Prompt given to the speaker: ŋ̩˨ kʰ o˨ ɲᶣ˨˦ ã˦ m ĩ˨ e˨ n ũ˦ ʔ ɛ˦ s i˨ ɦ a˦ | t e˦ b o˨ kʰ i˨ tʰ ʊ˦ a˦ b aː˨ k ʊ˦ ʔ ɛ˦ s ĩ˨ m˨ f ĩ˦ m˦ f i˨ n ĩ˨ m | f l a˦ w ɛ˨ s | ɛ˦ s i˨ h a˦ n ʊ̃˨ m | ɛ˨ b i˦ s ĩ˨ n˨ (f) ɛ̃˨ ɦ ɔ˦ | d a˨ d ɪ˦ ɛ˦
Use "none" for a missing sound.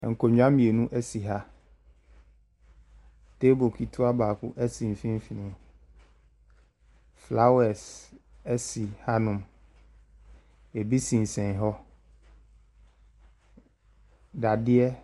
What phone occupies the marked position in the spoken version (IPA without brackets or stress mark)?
s